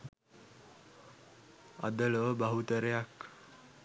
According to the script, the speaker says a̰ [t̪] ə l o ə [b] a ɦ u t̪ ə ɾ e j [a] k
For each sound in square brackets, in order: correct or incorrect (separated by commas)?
incorrect, correct, correct